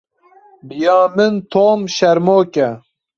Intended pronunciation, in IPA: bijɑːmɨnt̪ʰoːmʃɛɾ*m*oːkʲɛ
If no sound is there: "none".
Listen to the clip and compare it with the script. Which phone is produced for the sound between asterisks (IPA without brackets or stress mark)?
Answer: m